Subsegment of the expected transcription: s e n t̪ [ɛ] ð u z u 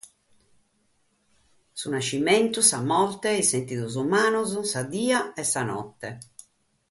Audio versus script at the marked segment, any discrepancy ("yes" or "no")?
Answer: yes